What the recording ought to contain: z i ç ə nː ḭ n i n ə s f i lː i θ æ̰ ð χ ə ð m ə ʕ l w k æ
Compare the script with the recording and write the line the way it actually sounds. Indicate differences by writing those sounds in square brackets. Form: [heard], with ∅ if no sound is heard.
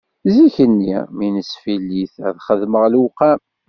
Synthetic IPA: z i ç ə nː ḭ [m] i n ə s f i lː i θ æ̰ ð χ ə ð m ə [ʁ] l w [q] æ